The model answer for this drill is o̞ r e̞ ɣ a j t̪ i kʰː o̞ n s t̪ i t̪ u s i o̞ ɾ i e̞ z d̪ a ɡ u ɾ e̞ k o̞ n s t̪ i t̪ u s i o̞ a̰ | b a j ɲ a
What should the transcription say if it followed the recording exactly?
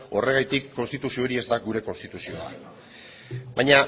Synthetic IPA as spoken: o̞ r e̞ ɣ a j t̪ i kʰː o̞ n s t̪ i t̪ u s i o̞ ɾ i e̞ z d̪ a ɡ u ɾ e̞ k o̞ n s t̪ i t̪ u s i o̞ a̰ | b a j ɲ a